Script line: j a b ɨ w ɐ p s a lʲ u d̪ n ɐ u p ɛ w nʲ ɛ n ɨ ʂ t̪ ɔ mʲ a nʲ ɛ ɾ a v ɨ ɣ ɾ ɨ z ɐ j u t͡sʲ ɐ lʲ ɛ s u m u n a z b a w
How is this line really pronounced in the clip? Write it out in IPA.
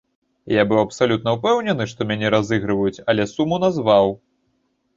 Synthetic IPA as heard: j a b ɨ w ɐ p s a lʲ u t̪ n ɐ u p ɛ w nʲ ɛ n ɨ ʂ t̪ ɔ mʲ a nʲ ɛ ɾ a z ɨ ɣ ɾ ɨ v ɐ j u t͡sʲ ɐ lʲ ɛ s u m u n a z v a w